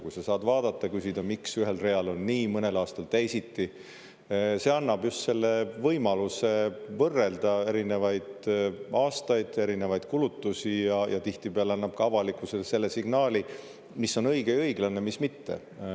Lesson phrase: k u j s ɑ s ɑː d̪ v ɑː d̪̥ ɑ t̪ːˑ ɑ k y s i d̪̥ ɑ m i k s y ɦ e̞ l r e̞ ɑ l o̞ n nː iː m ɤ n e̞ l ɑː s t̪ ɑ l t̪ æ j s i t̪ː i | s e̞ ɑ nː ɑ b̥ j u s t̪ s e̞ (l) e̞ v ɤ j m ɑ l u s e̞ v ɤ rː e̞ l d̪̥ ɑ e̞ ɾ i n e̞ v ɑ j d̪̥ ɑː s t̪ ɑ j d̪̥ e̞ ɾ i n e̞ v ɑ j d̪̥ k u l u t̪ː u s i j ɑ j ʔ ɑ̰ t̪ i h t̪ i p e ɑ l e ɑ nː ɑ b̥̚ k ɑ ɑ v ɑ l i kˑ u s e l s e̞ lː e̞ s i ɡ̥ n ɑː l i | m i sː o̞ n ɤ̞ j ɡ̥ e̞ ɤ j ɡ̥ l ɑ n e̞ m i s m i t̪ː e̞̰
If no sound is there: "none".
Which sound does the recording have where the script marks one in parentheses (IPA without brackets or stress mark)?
lː